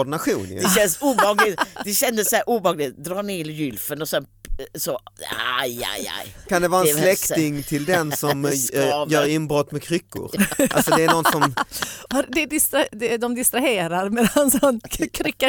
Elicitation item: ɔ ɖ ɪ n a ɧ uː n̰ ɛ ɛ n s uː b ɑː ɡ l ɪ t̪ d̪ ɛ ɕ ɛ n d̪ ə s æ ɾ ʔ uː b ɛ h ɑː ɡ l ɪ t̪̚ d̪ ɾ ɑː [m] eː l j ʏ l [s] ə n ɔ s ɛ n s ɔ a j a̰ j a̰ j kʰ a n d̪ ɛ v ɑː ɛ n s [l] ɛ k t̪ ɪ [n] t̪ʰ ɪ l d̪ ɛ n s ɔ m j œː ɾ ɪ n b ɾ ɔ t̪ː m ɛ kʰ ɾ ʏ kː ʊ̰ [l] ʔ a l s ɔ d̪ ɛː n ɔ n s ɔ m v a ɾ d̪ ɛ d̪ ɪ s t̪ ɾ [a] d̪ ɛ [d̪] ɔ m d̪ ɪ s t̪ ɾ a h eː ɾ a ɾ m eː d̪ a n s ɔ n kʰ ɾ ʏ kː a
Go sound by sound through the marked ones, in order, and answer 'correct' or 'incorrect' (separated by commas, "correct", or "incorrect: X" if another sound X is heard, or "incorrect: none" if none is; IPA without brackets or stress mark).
incorrect: n, incorrect: f, correct, incorrect: ŋ, incorrect: ɾ, correct, correct